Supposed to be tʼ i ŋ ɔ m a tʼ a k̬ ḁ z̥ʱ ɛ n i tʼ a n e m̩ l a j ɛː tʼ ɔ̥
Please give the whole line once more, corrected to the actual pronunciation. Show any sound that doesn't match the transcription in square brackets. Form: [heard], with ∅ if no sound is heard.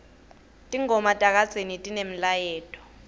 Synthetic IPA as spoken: tʼ i ŋ ɔ m a tʼ a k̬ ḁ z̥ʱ [e] n i tʼ [i] n e m̩ l a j ɛː tʼ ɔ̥